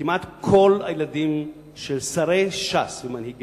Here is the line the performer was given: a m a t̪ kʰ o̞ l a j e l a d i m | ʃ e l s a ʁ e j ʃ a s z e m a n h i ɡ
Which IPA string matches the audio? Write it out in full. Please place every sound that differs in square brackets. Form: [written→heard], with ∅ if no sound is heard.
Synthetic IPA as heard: [a→i] m a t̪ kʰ o̞ l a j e l a d i m | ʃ e l s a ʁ e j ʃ a s [z→v] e m a n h i ɡ